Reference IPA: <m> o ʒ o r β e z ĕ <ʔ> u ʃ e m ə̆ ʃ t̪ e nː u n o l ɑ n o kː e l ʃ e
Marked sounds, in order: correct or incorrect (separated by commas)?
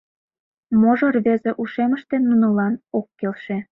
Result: correct, correct